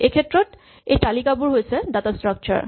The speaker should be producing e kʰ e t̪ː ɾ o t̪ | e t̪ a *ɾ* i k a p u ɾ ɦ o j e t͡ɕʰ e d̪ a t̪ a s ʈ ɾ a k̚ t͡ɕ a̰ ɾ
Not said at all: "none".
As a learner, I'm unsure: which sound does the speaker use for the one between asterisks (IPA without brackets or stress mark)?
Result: l